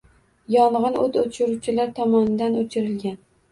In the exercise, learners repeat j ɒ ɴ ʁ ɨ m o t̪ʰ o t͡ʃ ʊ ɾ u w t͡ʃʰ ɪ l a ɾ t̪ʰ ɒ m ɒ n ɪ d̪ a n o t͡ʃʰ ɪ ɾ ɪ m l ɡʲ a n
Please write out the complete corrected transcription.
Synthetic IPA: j ɒ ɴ ʁ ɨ n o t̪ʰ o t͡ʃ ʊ ɾ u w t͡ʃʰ ɪ l a ɾ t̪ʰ ɒ m ɒ n ɪ d̪ a n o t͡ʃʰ ɪ ɾ ɪ l ɡʲ a n